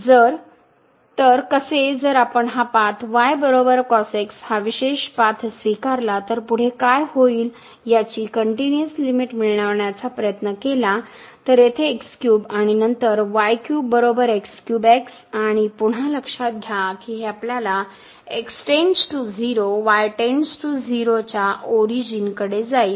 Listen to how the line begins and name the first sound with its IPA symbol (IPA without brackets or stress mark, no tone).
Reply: d͡z